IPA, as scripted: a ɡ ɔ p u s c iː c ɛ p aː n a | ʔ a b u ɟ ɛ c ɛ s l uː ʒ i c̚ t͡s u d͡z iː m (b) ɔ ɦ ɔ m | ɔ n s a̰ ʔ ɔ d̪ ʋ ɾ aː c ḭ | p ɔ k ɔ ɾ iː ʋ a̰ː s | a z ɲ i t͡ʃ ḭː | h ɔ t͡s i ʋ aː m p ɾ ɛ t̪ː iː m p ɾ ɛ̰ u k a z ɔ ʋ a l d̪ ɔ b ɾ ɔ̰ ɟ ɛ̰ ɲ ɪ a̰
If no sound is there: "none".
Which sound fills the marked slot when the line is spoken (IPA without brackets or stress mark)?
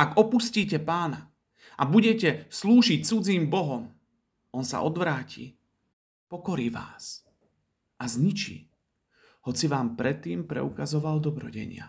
b